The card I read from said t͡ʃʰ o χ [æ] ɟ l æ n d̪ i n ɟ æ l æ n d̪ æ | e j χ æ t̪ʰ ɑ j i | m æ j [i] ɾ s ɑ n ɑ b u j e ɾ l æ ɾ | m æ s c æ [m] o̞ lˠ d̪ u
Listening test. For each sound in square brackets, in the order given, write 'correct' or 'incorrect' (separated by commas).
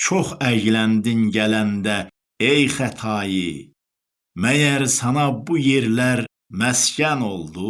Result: correct, incorrect, incorrect